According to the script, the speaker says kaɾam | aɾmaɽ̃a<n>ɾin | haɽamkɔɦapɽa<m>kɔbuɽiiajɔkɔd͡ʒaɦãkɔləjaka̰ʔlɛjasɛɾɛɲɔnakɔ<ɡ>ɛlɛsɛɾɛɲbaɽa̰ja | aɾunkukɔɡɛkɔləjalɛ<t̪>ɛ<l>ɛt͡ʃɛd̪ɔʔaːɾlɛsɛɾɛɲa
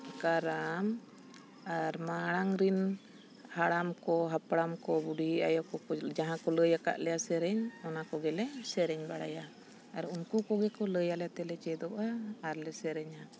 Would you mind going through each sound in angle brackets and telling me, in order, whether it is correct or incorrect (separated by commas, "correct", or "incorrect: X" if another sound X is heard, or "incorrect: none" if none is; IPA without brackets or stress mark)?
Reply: incorrect: ŋ, correct, correct, correct, correct